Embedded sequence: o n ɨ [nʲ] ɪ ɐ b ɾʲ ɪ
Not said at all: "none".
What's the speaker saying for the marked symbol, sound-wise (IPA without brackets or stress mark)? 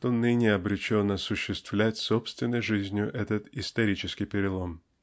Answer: nʲ